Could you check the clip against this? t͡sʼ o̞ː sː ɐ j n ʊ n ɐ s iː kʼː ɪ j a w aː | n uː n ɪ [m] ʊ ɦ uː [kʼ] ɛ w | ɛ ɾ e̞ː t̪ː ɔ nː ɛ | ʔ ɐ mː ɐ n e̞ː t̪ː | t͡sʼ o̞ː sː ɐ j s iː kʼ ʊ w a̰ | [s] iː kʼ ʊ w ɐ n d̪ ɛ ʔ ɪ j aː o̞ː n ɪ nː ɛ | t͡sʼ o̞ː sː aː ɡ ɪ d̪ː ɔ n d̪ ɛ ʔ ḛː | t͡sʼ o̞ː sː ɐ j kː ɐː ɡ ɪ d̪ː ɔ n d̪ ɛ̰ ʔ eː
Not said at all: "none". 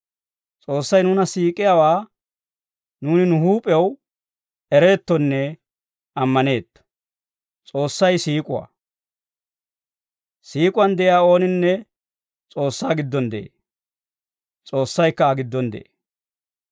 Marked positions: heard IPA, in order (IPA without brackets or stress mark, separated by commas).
n, pʼ, s